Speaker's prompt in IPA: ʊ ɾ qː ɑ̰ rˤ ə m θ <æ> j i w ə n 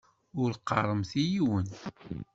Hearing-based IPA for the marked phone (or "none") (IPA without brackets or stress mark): i